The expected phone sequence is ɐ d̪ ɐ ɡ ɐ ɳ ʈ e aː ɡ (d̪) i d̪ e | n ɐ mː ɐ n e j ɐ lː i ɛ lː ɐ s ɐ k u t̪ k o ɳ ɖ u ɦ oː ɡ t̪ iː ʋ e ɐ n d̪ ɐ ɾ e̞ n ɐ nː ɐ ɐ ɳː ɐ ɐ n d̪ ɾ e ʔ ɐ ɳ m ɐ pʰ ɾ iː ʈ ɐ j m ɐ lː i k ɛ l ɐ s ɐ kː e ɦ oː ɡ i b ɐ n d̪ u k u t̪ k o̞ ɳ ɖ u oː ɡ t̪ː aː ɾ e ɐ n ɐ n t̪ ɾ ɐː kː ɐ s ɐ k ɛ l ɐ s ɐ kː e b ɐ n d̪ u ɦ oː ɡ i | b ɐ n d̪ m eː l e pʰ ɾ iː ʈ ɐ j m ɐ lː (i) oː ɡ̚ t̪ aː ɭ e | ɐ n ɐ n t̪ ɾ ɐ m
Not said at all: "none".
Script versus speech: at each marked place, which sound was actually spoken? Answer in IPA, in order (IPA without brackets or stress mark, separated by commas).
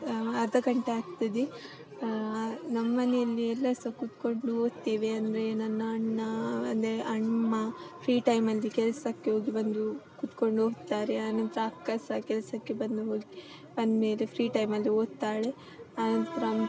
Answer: t̪, i